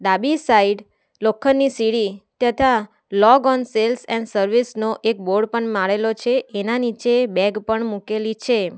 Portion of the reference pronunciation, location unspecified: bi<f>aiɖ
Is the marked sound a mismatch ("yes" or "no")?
yes